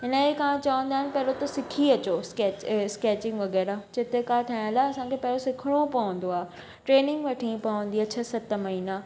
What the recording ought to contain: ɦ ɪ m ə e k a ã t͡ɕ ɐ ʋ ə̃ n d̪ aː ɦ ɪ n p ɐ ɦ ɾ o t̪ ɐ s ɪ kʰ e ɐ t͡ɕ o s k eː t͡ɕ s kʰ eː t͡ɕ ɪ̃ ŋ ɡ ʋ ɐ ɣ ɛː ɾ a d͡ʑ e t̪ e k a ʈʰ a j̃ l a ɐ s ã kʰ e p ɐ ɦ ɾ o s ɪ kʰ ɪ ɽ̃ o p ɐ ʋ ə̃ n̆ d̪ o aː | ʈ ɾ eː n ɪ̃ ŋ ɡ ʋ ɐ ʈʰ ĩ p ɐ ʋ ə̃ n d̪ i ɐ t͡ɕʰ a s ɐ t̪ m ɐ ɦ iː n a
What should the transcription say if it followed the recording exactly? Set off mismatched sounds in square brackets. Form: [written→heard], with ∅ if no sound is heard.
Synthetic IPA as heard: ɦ ɪ [m→n] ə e k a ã t͡ɕ ɐ ʋ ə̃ n d̪ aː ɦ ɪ n p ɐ ɦ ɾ o t̪ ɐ s ɪ kʰ [e→i] ɐ t͡ɕ o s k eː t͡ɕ s [kʰ→k] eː t͡ɕ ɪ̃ ŋ ɡ ʋ ɐ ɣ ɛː ɾ a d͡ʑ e t̪ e k a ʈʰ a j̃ l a ɐ s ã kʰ e p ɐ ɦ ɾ o s ɪ kʰ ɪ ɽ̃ o p ɐ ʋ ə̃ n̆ d̪ o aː | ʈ ɾ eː n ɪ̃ ŋ ɡ ʋ ɐ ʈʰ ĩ p ɐ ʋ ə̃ n d̪ i ɐ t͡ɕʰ a s ɐ t̪ m ɐ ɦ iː n a